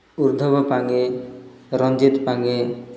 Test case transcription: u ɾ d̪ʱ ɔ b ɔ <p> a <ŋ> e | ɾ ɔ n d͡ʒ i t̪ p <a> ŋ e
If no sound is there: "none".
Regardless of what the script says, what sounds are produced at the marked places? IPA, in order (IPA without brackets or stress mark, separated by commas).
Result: p, ŋ, a